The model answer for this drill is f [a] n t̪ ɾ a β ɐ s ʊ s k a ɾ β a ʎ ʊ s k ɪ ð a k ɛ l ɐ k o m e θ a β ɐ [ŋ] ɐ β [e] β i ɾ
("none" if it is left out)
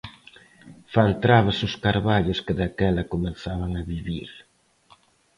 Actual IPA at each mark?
a, ŋ, i

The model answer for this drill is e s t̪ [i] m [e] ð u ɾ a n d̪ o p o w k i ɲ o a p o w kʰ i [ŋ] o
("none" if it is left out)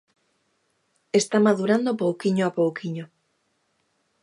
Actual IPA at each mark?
a, a, ɲ

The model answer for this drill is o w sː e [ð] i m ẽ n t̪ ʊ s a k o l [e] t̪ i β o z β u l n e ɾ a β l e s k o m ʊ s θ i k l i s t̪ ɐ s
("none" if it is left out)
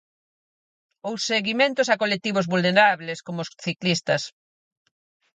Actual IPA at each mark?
ɣ, e

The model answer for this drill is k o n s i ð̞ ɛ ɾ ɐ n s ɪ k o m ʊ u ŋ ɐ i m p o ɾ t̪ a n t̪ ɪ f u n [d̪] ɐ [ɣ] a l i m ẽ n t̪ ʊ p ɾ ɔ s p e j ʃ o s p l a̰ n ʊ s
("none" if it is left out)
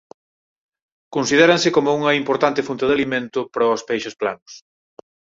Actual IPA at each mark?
t̪, ð

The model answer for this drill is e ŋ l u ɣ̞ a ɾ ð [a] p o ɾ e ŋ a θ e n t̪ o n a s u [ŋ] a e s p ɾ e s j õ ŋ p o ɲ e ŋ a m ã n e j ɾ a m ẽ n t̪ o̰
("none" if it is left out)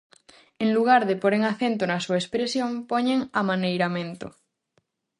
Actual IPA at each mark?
e, none

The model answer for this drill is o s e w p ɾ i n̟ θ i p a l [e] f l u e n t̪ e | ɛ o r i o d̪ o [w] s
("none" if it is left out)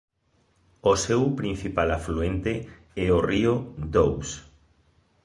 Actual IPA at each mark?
a, w

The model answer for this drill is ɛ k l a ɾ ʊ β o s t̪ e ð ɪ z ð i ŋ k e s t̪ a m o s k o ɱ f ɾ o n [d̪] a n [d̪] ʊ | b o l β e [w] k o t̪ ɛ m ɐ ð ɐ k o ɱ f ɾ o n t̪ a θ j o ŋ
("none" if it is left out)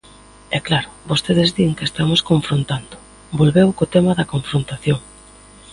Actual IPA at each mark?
t̪, d̪, w

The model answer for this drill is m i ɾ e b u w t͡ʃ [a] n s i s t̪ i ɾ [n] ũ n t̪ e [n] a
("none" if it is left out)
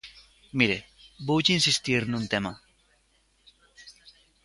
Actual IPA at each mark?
i, n, m

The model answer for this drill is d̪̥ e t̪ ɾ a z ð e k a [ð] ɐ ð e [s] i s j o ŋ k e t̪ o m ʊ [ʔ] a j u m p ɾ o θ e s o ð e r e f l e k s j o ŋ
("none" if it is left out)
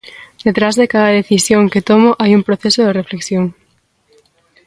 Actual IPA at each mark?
ð, θ, ʔ

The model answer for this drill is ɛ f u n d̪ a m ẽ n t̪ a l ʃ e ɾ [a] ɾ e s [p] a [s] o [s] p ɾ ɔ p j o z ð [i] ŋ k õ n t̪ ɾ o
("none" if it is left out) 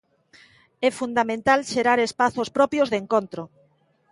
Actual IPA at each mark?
a, p, θ, s, e

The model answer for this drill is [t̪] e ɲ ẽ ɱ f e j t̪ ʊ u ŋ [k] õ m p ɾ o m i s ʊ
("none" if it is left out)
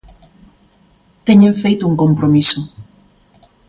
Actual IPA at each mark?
t̪, k

